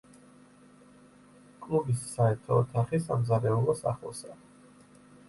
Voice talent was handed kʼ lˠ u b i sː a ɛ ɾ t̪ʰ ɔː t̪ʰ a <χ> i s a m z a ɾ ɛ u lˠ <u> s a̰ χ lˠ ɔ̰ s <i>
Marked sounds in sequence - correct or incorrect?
correct, incorrect, incorrect

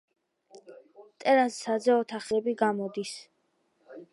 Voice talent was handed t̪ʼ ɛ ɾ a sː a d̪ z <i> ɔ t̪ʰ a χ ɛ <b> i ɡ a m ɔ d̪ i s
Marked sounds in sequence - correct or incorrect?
incorrect, correct

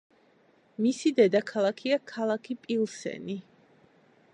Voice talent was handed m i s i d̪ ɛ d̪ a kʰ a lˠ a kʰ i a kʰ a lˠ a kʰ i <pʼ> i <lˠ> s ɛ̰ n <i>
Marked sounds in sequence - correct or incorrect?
correct, correct, correct

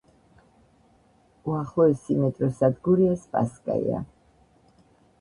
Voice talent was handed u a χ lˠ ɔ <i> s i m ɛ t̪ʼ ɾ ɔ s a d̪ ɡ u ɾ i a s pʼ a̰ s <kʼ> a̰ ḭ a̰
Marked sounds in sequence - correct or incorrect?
incorrect, correct

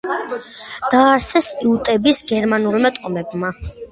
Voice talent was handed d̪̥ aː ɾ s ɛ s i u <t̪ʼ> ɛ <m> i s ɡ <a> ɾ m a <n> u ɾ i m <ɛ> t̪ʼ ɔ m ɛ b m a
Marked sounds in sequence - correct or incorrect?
correct, incorrect, incorrect, correct, incorrect

